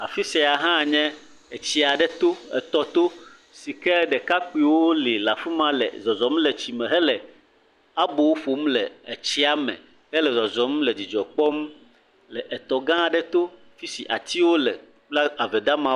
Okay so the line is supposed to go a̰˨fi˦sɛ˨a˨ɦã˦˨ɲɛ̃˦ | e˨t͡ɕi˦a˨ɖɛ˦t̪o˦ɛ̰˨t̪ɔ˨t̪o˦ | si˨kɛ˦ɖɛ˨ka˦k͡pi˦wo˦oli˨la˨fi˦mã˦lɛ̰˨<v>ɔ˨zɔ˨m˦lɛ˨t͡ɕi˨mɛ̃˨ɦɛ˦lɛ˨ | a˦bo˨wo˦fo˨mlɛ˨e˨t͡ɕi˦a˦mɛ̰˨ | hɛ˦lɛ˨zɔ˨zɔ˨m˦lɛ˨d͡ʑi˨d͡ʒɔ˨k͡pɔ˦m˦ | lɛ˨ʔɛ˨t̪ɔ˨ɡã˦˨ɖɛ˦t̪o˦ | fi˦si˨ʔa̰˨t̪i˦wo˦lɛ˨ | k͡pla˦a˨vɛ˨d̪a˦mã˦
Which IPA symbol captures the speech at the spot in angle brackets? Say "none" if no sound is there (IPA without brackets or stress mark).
z